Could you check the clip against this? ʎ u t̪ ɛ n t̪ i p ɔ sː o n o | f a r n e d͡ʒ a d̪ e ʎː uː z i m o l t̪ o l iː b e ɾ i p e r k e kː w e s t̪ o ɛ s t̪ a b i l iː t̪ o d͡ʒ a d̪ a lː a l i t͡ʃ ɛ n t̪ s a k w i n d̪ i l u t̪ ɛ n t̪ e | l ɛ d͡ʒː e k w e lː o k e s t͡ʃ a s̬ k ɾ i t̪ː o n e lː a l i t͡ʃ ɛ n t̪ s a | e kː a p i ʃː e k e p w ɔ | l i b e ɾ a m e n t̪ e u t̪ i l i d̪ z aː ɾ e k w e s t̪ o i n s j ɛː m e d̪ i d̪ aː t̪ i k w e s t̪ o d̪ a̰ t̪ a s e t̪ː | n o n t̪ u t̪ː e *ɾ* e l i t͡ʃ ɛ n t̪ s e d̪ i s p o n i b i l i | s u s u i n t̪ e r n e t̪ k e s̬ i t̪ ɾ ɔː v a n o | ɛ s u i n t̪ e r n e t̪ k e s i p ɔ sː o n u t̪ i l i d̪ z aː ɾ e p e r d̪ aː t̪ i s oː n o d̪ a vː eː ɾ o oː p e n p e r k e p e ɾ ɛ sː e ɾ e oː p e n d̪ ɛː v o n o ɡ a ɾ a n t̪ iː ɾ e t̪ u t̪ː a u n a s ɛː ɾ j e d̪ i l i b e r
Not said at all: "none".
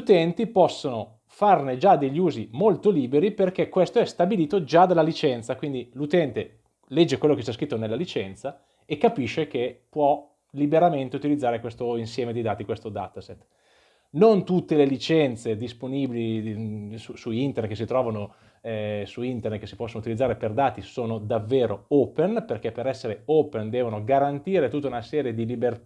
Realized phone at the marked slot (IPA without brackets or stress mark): l